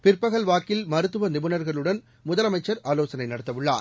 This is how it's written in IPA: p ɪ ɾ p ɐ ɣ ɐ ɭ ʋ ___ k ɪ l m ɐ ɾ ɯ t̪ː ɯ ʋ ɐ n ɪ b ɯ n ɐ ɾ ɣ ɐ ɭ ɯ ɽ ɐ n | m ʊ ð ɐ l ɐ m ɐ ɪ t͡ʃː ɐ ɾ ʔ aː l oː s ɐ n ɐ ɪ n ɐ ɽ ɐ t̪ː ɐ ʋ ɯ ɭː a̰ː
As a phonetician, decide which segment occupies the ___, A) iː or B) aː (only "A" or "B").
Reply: B